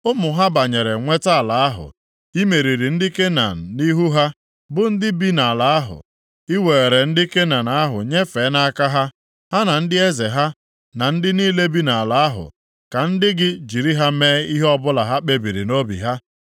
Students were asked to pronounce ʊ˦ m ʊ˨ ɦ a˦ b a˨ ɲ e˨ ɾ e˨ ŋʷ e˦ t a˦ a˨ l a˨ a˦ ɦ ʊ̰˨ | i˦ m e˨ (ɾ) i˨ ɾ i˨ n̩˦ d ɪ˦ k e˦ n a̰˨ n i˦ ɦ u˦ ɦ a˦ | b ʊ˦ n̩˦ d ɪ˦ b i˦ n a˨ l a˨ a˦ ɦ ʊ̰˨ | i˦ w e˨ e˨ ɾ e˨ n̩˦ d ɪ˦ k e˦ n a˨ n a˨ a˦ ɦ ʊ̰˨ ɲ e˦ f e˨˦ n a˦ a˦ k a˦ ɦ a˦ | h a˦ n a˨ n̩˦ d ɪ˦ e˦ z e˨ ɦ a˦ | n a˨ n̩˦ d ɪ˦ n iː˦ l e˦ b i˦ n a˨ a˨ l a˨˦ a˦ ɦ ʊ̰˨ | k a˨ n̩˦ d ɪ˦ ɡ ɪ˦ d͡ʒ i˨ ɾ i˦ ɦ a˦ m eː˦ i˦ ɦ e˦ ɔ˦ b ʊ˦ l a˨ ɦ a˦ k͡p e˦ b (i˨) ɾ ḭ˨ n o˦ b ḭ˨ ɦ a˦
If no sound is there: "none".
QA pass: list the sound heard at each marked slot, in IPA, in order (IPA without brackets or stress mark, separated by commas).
ɾ, i˨